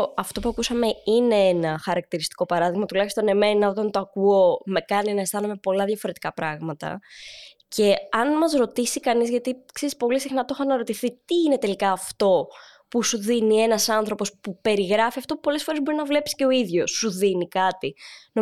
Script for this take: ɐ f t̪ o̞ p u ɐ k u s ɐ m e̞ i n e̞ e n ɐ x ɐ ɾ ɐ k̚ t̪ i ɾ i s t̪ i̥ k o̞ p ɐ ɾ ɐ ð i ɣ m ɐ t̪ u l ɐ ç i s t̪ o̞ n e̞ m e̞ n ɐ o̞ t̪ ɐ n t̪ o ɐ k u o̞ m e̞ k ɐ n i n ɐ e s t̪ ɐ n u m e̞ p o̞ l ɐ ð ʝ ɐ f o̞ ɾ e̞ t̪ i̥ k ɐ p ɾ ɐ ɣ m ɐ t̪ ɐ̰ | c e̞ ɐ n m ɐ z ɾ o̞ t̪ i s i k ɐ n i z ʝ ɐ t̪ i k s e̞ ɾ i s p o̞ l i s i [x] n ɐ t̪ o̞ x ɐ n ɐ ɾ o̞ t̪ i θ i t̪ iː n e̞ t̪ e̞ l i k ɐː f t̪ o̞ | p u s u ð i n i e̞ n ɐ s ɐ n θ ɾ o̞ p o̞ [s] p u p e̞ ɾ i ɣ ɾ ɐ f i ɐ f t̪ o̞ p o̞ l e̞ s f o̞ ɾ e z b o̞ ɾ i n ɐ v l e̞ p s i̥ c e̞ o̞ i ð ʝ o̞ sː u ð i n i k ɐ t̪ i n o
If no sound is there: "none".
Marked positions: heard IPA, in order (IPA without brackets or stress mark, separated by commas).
x, s